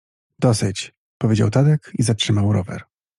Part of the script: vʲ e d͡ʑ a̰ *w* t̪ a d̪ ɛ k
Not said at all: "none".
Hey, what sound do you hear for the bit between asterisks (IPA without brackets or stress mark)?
w